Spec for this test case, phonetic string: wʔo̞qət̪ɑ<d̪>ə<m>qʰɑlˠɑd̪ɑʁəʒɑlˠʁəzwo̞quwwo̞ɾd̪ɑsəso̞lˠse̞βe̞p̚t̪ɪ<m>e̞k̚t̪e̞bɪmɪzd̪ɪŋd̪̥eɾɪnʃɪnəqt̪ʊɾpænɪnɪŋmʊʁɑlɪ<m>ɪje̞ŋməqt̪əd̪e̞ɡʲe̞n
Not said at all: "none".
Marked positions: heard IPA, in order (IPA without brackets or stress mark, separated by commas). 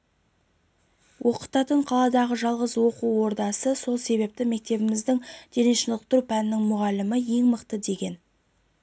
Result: t̪, ɴ, m, m